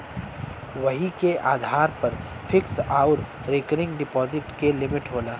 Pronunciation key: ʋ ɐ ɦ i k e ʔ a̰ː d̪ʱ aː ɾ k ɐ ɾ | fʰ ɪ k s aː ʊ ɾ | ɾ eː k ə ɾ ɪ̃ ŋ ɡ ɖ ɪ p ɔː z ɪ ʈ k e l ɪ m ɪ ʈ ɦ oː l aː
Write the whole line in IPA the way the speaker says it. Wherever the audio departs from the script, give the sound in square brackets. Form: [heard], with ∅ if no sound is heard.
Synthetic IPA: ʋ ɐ ɦ i k e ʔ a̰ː d̪ʱ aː ɾ [p] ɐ ɾ | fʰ ɪ k s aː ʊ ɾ | ɾ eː k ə ɾ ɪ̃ ŋ ɡ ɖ ɪ p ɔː z ɪ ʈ k e l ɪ m ɪ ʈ ɦ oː l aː